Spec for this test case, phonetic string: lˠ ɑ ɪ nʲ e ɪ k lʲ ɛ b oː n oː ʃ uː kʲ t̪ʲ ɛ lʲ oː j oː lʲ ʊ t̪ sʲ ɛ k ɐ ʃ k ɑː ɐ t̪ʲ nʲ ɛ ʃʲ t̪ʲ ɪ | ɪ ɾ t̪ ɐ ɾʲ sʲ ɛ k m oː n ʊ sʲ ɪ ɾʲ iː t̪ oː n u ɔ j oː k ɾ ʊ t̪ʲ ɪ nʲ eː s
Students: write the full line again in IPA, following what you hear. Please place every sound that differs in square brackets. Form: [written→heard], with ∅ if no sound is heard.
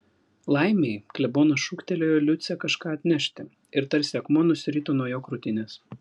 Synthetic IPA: lˠ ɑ ɪ [nʲ→mʲ] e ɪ k lʲ ɛ b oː n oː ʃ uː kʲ t̪ʲ ɛ lʲ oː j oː lʲ ʊ t̪ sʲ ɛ k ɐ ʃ k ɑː ɐ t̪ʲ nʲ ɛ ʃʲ t̪ʲ ɪ | ɪ ɾ t̪ ɐ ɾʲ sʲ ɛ k m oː n ʊ sʲ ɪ ɾʲ iː t̪ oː n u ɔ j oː k ɾ ʊ t̪ʲ ɪ nʲ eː s